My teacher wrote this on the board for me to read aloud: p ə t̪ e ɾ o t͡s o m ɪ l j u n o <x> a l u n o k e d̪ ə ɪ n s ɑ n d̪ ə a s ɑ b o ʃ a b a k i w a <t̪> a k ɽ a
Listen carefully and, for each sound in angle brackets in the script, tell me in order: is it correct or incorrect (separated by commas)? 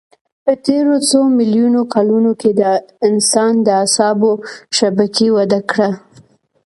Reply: incorrect, incorrect